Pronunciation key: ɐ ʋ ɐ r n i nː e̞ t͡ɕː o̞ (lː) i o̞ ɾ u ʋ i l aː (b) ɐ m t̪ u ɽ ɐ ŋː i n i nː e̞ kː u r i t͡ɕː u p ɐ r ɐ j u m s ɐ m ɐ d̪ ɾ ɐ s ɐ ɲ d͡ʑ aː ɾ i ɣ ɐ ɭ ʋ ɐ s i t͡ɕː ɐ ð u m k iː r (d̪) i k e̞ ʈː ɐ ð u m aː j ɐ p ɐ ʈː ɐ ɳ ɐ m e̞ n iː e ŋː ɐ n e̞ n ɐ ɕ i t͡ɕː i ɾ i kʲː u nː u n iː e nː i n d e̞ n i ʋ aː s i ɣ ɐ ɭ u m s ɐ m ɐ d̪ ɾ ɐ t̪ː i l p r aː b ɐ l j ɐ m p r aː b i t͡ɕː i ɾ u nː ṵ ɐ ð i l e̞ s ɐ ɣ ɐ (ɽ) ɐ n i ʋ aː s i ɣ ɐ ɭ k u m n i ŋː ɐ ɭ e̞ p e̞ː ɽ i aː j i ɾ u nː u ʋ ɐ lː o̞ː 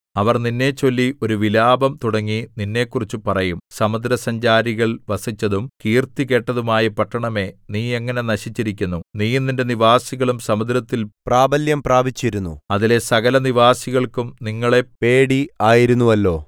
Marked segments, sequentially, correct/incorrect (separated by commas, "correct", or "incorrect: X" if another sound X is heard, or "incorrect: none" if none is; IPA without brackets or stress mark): correct, correct, incorrect: t̪, incorrect: l